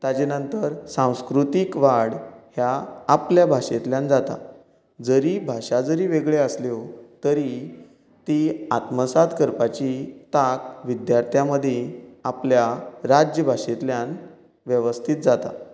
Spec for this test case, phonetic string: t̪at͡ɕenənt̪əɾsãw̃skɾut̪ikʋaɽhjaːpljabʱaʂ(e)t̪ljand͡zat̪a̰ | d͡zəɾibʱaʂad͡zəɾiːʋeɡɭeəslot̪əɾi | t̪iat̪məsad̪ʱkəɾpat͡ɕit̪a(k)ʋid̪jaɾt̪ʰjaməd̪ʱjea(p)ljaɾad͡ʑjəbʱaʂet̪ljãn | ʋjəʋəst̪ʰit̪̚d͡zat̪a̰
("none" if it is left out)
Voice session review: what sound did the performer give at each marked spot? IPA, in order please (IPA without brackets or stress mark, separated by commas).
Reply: e, k, p